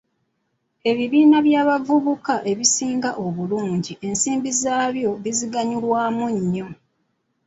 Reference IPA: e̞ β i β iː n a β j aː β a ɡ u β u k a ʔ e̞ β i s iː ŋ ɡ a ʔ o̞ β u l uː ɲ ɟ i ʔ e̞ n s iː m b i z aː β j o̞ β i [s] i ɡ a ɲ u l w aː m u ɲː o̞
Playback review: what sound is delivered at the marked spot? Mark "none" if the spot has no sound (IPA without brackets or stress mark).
z